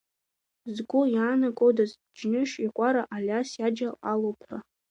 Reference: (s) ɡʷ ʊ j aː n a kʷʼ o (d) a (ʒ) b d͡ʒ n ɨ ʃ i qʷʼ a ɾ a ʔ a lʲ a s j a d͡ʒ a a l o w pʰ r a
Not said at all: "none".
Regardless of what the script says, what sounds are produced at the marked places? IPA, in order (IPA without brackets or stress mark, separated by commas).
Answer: z, d, z